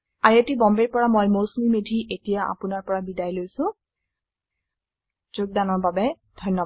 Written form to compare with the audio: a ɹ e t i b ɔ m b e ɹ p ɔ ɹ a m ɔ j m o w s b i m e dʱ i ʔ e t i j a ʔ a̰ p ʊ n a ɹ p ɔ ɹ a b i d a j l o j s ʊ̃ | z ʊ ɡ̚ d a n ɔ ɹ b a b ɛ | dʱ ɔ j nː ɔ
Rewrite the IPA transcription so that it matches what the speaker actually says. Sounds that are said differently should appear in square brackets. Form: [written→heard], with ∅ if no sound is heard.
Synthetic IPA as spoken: a ɹ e t i b ɔ m b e ɹ p ɔ ɹ a m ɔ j m o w s [b→m] i m e dʱ i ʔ e t i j a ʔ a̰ p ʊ n a ɹ p ɔ ɹ a b i d a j l o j s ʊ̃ | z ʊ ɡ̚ d a n ɔ ɹ b a b ɛ | dʱ ɔ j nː ɔ